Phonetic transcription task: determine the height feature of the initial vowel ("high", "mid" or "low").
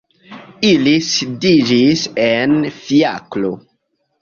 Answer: high